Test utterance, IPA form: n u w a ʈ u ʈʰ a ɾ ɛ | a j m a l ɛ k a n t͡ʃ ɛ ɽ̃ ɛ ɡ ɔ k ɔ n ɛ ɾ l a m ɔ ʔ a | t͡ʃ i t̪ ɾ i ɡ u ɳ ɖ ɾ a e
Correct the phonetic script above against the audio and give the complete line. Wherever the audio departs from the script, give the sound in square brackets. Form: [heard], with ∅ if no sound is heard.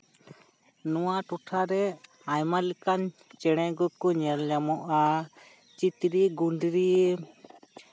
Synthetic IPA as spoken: n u w a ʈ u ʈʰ a ɾ ɛ | a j m a l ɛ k a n t͡ʃ ɛ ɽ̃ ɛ ɡ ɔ k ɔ [ɲ] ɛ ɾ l a m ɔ ʔ a | t͡ʃ i t̪ ɾ i ɡ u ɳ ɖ ɾ [i] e

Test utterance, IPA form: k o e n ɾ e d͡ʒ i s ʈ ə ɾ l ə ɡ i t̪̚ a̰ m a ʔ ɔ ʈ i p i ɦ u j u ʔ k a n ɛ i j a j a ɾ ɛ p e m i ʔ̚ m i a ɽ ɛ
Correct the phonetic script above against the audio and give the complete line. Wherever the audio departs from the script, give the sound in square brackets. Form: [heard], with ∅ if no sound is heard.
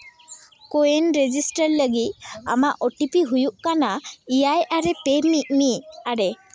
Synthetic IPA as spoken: k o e n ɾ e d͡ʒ i s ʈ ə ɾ l ə ɡ i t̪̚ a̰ m a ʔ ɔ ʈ i p i ɦ u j u ʔ k a n [a] i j a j a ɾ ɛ p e m i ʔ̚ m i a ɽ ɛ

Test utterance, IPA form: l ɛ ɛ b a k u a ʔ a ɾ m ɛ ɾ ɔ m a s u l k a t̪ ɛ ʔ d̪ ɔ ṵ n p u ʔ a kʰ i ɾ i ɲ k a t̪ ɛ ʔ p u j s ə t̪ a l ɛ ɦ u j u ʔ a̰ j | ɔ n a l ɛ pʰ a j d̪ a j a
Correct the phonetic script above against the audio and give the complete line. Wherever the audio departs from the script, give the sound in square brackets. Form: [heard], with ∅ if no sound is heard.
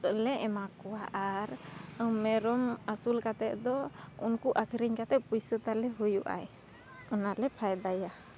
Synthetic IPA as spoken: l ɛ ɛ [m] a k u a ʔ a ɾ m ɛ ɾ ɔ m a s u l k a t̪ ɛ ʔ d̪ ɔ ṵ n [k] u ʔ a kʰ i ɾ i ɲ k a t̪ ɛ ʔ p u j s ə t̪ a l ɛ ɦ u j u ʔ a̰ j | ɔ n a l ɛ pʰ a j d̪ a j a

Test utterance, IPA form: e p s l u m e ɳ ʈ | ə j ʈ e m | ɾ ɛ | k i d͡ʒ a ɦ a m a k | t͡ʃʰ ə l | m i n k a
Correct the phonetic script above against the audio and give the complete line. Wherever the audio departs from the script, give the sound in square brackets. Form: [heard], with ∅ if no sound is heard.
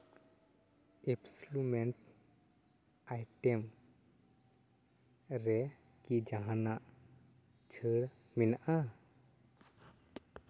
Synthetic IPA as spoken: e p s l u m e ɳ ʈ | [a] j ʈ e m | ɾ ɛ | k i d͡ʒ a ɦ a [n] a [ʔ] | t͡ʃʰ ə [ɽ] | m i n [ʔ] a

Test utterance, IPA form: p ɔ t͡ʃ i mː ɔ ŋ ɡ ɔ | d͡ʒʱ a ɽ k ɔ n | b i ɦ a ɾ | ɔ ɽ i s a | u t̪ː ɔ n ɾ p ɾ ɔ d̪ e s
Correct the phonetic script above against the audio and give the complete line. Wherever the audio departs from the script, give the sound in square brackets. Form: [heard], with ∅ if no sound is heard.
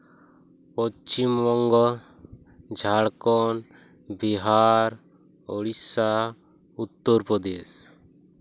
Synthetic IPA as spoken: p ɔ t͡ʃ i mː ɔ ŋ ɡ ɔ | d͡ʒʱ a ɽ k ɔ n | b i ɦ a ɾ | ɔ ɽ i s a | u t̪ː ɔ [∅] ɾ p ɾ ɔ d̪ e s

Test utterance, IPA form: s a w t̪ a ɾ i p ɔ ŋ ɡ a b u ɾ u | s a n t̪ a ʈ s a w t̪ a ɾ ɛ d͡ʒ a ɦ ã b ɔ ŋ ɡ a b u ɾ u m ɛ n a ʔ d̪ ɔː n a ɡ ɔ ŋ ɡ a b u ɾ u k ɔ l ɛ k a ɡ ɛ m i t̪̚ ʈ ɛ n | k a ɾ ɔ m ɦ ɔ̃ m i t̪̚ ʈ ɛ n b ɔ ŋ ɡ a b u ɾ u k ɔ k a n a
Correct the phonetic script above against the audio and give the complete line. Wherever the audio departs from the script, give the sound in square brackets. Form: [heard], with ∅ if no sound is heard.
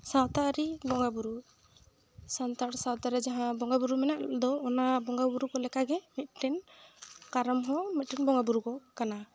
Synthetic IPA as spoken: s a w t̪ a ɾ i [b] ɔ ŋ ɡ a b u ɾ u | s a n t̪ a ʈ s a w t̪ a ɾ ɛ d͡ʒ a ɦ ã b ɔ ŋ ɡ a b u ɾ u m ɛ n a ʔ d̪ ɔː n a [b] ɔ ŋ ɡ a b u ɾ u k ɔ l ɛ k a ɡ ɛ m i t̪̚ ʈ ɛ n | k a ɾ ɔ m ɦ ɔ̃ m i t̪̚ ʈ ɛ n b ɔ ŋ ɡ a b u ɾ u k ɔ k a n a

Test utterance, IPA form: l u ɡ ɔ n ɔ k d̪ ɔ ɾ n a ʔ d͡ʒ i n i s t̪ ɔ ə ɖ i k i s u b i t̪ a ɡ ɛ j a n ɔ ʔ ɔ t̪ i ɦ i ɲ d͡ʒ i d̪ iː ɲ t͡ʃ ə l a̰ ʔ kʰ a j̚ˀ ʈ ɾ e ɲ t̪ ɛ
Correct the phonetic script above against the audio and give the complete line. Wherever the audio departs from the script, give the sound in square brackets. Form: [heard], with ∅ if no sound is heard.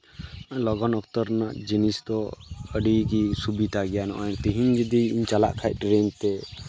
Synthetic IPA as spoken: l [ɔ] ɡ ɔ n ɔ k [t̪] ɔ ɾ n a ʔ d͡ʒ i n i s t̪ ɔ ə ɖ i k i s u b i t̪ a ɡ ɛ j a n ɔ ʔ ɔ t̪ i ɦ i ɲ d͡ʒ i d̪ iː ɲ t͡ʃ [a] l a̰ ʔ kʰ a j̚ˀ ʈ ɾ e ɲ t̪ ɛ

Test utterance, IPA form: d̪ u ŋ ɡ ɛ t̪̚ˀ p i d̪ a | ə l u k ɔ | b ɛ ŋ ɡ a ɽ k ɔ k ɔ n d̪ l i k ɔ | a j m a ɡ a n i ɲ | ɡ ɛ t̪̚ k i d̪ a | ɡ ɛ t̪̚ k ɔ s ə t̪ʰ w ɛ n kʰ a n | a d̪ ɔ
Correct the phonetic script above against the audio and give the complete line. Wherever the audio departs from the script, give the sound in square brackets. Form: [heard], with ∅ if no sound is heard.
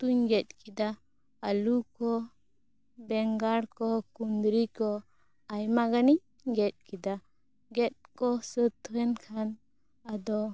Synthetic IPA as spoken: [t̪] u [ɲ] ɡ ɛ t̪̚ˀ [k] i d̪ a | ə l u k ɔ | b ɛ ŋ ɡ a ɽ k ɔ k [u] n d̪ [ɾ] i k ɔ | a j m a ɡ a n i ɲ | ɡ ɛ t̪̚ k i d̪ a | ɡ ɛ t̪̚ k ɔ s ə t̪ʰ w ɛ n kʰ a n | a d̪ ɔ

